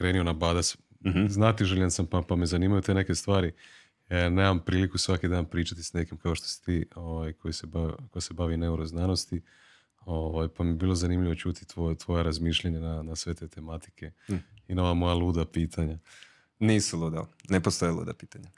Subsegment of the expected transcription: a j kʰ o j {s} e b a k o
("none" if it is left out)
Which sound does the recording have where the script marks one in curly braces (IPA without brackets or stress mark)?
s